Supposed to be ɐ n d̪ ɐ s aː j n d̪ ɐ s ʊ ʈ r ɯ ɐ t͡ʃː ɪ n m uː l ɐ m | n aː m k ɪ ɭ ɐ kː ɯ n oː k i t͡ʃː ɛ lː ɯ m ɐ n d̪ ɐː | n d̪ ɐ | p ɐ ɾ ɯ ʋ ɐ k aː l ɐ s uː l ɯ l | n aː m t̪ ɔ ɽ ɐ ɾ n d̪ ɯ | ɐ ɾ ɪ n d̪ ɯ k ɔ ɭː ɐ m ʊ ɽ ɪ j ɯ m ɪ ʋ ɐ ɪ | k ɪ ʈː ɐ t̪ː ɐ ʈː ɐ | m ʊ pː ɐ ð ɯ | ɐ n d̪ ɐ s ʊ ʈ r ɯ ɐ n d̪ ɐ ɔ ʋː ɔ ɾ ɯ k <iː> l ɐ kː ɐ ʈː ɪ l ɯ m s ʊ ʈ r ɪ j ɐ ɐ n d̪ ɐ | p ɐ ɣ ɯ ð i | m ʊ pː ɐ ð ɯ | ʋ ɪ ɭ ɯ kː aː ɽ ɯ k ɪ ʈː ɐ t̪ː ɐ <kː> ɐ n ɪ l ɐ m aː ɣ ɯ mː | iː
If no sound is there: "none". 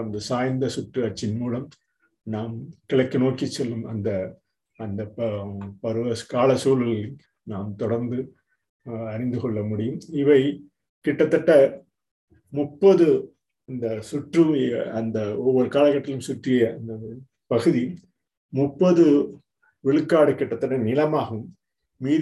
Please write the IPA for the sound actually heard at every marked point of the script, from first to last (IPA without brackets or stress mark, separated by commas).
aː, ʈː